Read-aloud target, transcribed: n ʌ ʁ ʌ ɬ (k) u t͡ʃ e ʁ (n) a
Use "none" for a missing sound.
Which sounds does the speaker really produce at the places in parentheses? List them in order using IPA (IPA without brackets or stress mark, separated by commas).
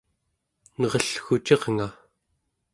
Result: x, ŋ